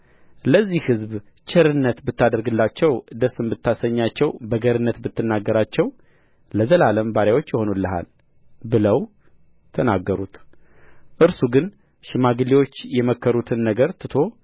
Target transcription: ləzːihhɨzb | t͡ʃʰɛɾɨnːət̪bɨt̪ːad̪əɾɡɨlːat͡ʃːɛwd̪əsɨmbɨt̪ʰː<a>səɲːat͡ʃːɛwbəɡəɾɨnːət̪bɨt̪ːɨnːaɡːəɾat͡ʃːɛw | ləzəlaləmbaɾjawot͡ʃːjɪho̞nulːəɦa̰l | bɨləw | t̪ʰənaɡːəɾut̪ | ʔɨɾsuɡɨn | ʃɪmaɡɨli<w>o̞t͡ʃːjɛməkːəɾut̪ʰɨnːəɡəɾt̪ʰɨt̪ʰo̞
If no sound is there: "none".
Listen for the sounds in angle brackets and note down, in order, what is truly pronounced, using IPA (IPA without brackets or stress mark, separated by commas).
a, w